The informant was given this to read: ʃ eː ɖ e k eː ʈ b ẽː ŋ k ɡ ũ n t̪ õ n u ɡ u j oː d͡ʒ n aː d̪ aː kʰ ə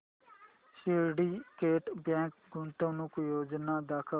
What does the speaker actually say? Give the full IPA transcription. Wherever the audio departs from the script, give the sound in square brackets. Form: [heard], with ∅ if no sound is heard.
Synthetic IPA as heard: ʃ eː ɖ [i] k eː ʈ b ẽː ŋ k ɡ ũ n t̪ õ n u [k] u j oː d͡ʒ n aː d̪ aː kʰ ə